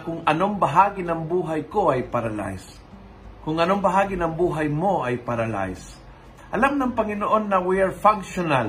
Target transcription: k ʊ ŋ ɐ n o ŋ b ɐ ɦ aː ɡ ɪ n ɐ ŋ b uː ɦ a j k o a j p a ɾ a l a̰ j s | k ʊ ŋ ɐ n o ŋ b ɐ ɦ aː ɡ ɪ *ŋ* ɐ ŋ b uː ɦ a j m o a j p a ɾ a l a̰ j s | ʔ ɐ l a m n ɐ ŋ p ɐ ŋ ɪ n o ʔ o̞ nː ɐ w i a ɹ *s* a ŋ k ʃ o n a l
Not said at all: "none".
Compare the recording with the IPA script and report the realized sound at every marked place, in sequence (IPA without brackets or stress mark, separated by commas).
n, f